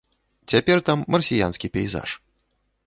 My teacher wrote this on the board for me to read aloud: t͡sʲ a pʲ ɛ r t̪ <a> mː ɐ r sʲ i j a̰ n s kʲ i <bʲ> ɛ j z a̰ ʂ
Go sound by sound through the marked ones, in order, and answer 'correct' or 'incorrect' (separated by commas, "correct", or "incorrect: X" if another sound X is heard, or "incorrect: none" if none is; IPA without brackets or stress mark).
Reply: correct, incorrect: pʲ